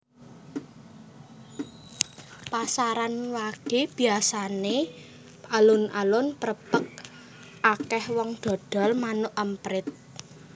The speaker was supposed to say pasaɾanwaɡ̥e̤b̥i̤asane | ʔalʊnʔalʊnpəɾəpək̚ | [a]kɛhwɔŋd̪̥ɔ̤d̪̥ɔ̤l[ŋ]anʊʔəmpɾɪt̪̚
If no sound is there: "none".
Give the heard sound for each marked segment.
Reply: a, m

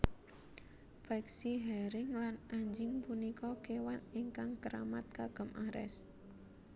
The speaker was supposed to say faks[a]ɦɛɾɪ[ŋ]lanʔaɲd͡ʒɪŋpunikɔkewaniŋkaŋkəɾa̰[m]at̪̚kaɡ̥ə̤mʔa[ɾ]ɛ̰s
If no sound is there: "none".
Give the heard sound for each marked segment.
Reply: i, ŋ, m, ɾ

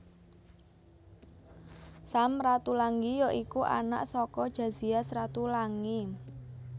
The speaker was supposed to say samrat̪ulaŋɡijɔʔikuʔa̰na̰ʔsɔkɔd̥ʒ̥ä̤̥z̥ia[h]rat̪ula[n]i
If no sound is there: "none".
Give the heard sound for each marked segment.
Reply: s, ŋ

